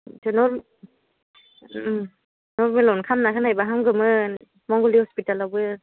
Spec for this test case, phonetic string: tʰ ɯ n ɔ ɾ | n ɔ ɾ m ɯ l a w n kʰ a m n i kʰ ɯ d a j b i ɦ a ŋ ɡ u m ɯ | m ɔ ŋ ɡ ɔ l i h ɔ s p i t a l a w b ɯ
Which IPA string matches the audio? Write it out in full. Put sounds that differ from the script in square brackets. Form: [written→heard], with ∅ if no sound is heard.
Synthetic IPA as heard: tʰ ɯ n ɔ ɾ | n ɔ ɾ m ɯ l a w n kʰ a m n [i→a] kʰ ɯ [d→n] a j b [i→a] ɦ a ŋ ɡ [u→ɯ] m ɯ | m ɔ ŋ ɡ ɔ l i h ɔ s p i t a l a w b ɯ

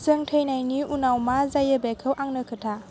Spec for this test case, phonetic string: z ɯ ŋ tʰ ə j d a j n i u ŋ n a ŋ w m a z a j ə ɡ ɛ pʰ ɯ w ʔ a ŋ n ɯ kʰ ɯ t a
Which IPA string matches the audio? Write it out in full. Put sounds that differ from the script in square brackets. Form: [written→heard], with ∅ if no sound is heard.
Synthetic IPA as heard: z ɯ ŋ tʰ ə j [d→n] a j n i u [ŋ→∅] n a [ŋ→∅] w m a z a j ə [ɡ→b] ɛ [pʰ→kʰ] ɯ w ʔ a ŋ n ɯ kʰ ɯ [t→tʰ] a

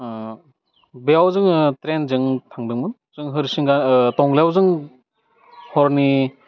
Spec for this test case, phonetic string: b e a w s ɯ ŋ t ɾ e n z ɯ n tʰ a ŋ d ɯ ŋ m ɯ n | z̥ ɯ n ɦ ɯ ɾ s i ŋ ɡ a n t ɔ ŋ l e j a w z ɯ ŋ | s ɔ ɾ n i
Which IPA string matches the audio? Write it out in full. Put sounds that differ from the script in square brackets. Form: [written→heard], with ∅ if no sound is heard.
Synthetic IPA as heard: b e a w [s→z] ɯ ŋ t ɾ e n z ɯ [n→ŋ] tʰ a ŋ d ɯ ŋ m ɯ n | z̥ ɯ [n→ŋ] ɦ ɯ ɾ s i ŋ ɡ a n t ɔ ŋ l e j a w z ɯ ŋ | [s→h] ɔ ɾ n i

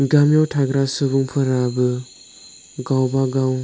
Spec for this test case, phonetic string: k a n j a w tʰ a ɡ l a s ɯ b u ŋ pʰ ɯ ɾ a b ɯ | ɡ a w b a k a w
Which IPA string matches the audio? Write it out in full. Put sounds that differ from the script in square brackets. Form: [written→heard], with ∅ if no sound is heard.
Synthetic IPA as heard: [k→ɡ] a [n→m] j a w tʰ a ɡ [l→ɾ] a s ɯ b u ŋ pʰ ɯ ɾ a b ɯ | ɡ a w b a [k→ɡ] a w

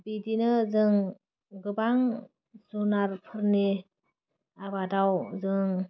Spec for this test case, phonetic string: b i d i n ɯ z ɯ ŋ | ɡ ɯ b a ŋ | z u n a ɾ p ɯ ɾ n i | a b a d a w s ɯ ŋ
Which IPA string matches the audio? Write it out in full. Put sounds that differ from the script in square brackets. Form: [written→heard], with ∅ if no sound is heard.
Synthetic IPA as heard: b i d i n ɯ z ɯ ŋ | ɡ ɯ b a ŋ | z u n a ɾ [p→pʰ] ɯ ɾ n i | a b a d a w [s→z] ɯ ŋ

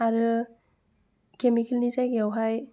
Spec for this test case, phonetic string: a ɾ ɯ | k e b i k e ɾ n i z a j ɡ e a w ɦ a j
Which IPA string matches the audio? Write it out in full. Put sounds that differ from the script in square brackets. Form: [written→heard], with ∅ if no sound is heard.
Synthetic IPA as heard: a ɾ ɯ | k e [b→m] i k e [ɾ→l] n i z a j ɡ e a w ɦ a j

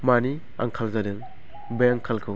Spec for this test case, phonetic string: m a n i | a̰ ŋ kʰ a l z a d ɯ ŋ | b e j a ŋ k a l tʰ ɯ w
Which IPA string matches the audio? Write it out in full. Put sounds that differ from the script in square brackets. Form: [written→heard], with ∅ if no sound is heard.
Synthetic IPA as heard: m a n i | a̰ ŋ kʰ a l z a d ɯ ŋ | b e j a ŋ [k→kʰ] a l [tʰ→kʰ] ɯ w

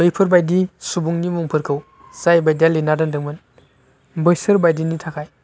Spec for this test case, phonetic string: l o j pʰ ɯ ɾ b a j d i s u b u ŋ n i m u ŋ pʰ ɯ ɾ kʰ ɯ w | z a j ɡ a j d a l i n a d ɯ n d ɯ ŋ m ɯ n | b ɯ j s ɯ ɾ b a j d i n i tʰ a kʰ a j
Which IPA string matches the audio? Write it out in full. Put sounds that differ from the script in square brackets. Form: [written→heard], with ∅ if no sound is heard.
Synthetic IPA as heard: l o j pʰ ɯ ɾ b a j d i s u b u ŋ n i m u ŋ pʰ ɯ ɾ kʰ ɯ w | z a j [ɡ→b] a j d a l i n a d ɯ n d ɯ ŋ m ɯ n | b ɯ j s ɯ ɾ b a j d i n i tʰ a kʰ a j

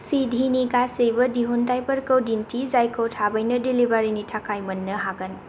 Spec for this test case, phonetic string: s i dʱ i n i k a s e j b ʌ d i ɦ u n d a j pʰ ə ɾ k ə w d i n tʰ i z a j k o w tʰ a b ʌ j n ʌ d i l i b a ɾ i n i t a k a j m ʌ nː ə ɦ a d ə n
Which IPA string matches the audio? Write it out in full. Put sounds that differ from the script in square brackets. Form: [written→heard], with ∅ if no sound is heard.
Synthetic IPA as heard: s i dʱ i n i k a s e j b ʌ d i ɦ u n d a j [pʰ→p] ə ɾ k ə w d i n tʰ i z a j k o w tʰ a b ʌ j n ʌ d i l i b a ɾ i n i [t→tʰ] a k a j m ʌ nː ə ɦ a [d→ɡ] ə n

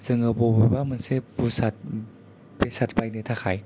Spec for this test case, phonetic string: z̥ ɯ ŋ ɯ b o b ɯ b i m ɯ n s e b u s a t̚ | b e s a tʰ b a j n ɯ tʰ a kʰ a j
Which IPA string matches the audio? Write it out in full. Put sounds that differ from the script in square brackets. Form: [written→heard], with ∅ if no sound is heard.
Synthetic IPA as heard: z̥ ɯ ŋ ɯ b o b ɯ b [i→a] m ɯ n s e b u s a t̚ | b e s a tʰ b a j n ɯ tʰ a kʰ a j

